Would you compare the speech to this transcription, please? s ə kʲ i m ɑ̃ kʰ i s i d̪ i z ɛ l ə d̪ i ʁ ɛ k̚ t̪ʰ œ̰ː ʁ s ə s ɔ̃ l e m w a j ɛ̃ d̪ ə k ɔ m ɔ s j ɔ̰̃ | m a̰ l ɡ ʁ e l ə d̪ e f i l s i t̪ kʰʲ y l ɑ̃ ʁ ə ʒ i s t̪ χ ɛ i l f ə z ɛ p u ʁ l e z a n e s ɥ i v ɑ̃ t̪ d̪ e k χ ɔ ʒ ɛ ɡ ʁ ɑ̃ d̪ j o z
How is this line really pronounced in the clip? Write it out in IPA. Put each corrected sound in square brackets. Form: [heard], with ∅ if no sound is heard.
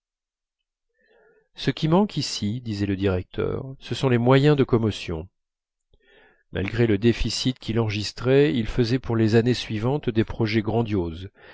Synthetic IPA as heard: s ə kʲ i m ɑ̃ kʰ i s i d̪ i z ɛ l ə d̪ i ʁ ɛ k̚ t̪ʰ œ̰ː ʁ s ə s ɔ̃ l e m w a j ɛ̃ d̪ ə k ɔ m ɔ s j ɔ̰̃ | m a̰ l ɡ ʁ e l ə d̪ e f i [∅] s i t̪ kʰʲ [i] l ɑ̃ ʁ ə ʒ i s t̪ χ ɛ i l f ə z ɛ p u ʁ l e z a n e s ɥ i v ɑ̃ t̪ d̪ e [p] χ ɔ ʒ ɛ ɡ ʁ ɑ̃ d̪ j o z